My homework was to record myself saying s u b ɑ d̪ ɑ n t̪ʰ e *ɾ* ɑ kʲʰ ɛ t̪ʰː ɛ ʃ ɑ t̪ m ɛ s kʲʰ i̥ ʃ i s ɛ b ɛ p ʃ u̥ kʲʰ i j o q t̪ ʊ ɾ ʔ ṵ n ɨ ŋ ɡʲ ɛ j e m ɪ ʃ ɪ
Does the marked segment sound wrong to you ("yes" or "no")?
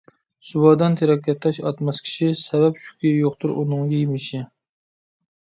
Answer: no